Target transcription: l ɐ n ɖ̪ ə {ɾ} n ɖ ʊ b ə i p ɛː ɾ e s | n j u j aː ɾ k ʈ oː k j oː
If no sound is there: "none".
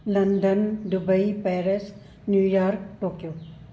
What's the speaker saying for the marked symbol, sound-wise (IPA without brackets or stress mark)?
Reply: none